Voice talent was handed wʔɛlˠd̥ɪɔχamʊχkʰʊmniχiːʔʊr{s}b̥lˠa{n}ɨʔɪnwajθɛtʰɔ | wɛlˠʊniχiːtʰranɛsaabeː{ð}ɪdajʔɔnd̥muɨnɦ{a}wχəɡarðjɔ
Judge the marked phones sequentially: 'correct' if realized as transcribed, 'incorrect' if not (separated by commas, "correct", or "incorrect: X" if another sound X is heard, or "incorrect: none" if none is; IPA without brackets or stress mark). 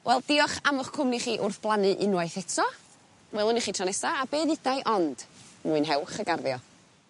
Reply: incorrect: θ, correct, correct, incorrect: ɛ